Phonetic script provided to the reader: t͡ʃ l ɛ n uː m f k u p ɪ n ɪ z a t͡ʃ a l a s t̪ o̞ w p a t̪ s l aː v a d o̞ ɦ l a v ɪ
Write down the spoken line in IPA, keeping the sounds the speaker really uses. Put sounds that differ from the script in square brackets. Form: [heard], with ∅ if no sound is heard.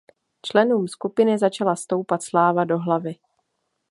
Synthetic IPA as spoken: t͡ʃ l ɛ n uː m [s] k u p ɪ n ɪ z a t͡ʃ a l a s t̪ o̞ w p a t̪ s l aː v a d o̞ ɦ l a v ɪ